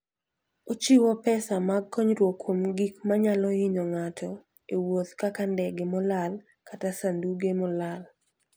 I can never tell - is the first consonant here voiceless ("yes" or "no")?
yes